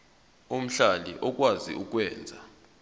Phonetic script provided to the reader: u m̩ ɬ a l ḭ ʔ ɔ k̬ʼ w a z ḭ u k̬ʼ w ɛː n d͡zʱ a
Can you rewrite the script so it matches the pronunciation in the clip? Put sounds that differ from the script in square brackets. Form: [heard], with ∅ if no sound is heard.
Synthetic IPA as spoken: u m̩ ɬ a l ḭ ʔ ɔ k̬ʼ w a z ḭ u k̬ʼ w ɛː n d͡zʱ a